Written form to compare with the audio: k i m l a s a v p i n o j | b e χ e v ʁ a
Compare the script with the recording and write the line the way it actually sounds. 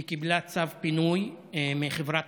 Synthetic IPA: k i b l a t͡s a v p i n u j | m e χ e v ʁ a